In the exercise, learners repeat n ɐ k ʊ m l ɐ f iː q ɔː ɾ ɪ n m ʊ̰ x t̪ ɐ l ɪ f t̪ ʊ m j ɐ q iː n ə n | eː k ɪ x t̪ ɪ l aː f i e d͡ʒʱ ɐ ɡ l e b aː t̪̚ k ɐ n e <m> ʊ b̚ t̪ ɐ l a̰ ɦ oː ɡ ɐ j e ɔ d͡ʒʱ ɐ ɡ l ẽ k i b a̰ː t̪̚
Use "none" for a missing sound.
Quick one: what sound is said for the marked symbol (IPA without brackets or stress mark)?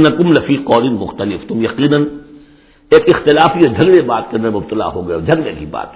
m